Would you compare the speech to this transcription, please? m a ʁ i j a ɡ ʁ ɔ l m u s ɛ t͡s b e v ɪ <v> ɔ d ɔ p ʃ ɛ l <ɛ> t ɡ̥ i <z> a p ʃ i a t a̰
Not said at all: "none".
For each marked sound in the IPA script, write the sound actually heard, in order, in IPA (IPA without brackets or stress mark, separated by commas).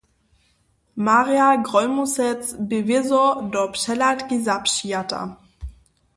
z, a, z